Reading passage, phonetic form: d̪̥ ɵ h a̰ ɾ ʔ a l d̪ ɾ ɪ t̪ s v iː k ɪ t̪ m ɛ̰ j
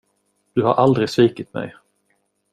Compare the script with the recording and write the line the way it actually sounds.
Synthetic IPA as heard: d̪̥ ɵ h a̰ ɾ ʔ a l d̪ ɾ ɪ s v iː k ɪ t̪ m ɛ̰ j

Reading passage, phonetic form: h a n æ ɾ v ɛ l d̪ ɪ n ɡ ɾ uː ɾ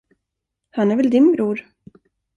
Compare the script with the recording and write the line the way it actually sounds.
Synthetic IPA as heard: h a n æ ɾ v ɛ l d̪ ɪ n b ɾ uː ɾ

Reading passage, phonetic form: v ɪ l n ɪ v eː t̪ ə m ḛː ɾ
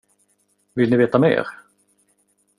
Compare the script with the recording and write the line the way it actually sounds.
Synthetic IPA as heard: v ɪ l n ɪ v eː t̪ a m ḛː ɾ

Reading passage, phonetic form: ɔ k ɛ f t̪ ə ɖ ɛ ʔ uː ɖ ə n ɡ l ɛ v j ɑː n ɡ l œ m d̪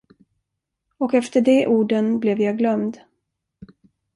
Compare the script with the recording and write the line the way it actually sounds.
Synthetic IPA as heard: ɔ k ɛ f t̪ ə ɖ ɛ ʔ uː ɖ ə n b l ɛ v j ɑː ɡ l œ m d̪

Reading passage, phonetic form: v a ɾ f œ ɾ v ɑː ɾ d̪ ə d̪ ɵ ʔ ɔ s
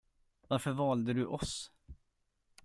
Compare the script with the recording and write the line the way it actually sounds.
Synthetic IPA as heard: v a ɾ f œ ɾ v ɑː l d̪ ə d̪ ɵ ʔ ɔ s

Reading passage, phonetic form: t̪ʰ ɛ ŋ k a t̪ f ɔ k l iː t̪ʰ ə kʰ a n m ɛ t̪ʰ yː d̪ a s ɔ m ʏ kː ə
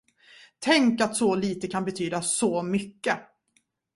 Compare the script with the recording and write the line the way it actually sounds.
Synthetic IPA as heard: t̪ʰ ɛ ŋ k a t̪ s ɔ l iː t̪ ə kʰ a n b ɛ t̪ʰ yː d̪ a s ɔ m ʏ kː ə

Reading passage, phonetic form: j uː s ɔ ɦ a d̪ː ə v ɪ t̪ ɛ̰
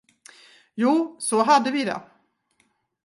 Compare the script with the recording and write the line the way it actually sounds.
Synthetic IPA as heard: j uː s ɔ ɦ a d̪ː ə v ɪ d̪ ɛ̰

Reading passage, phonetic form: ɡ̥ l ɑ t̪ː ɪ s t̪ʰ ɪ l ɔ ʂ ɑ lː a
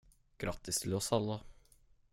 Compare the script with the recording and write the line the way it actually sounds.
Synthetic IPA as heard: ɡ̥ ɾ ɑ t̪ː ɪ s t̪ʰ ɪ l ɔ s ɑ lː ə

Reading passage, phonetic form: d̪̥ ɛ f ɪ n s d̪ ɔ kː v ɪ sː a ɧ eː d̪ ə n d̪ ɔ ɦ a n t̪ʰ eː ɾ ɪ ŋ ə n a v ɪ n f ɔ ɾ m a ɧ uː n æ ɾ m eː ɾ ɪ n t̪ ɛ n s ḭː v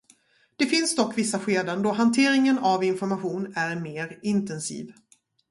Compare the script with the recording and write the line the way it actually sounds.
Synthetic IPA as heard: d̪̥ ɛ f ɪ n s d̪ ɔ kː v ɪ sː a ɧ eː d̪ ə n d̪ ɔ ɦ a n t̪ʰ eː ɾ ɪ ŋ ə n a v ɪ n f ɔ ɾ m a ɧ uː n æ ɾ m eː ɾ ɪ n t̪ ɛ n s ḭː v

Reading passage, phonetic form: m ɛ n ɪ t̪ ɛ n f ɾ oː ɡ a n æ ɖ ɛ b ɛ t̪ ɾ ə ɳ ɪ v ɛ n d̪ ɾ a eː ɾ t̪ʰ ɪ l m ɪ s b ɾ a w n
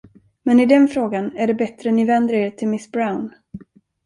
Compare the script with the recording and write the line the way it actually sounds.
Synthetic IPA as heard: m ɛ n ɪ d̪ ɛ n f ɾ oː ɡ a n æ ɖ ɛ b ɛ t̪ ɾ ə n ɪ v ɛ n d̪ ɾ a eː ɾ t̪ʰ ɪ l m ɪ s b ɾ a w n

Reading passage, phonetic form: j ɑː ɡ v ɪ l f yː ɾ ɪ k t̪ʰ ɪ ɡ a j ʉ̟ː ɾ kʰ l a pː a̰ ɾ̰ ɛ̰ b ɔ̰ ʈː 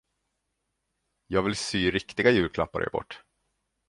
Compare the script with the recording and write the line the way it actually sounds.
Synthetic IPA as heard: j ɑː ɡ v ɪ l s yː ɾ ɪ k t̪ ɪ ɡ a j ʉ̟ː ɾ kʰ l a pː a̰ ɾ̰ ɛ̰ b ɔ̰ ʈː

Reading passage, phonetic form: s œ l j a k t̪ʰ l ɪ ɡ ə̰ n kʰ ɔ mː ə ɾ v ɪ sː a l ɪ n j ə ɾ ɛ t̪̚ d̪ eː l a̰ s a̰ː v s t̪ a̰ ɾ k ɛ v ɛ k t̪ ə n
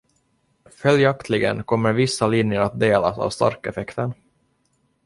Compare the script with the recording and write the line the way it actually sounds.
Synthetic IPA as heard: f œ l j a k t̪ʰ l ɪ ɡ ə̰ n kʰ ɔ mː ə ɾ v ɪ sː a l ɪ n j ə ɾ a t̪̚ d̪ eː l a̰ s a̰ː v s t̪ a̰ ɾ k ɛ f ɛ k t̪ ə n

